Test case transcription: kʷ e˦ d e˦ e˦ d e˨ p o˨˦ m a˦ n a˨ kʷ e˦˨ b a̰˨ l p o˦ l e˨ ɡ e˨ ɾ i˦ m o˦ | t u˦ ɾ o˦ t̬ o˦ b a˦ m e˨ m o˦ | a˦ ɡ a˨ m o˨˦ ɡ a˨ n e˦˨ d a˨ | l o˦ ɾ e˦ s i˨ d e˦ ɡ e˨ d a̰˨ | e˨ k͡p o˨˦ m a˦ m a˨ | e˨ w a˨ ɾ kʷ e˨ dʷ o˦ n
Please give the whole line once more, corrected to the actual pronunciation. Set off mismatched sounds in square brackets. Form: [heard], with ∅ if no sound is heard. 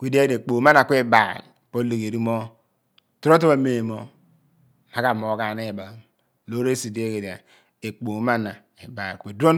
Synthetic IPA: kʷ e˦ d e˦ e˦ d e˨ [k͡p] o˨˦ m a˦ n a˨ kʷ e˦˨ b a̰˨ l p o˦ l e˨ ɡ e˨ ɾ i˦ m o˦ | t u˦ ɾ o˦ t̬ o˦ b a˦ m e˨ m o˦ | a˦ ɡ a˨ m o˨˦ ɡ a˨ n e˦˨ [b] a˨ | l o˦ ɾ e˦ s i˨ d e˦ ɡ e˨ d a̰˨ | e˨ k͡p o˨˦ m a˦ [n] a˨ | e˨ [b] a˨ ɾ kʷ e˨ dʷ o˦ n